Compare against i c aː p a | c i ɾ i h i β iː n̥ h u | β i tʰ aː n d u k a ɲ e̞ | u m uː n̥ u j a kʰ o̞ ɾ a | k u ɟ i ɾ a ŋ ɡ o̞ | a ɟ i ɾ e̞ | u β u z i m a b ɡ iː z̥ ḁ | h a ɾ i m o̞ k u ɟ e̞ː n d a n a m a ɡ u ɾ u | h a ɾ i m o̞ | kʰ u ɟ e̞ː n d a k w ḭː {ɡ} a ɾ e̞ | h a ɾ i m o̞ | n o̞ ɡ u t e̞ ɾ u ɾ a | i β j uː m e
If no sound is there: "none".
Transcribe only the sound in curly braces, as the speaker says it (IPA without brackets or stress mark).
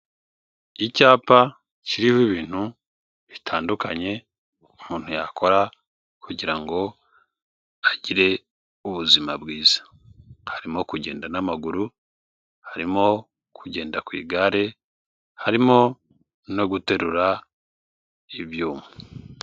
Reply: ɡ